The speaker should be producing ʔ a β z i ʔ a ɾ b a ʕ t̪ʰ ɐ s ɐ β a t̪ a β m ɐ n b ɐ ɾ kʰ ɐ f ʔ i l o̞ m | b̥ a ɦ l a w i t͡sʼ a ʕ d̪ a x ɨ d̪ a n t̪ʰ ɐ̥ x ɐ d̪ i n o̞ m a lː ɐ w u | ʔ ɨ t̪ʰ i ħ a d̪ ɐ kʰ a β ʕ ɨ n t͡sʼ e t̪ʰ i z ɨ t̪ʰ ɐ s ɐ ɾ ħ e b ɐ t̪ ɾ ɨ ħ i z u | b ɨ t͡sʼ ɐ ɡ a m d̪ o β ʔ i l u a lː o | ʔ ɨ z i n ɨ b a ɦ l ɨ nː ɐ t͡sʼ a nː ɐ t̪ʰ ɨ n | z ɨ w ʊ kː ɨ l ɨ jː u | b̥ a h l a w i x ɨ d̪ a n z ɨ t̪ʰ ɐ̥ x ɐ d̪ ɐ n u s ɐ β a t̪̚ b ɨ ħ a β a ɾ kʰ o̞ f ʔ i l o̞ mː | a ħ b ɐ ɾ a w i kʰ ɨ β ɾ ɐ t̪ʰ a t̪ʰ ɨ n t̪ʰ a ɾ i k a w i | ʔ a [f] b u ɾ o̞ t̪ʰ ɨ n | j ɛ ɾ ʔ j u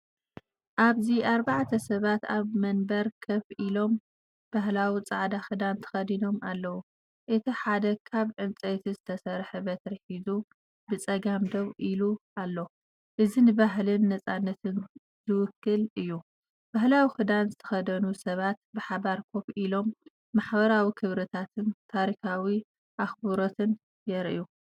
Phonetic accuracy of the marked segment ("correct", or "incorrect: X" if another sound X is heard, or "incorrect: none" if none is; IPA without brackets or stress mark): incorrect: x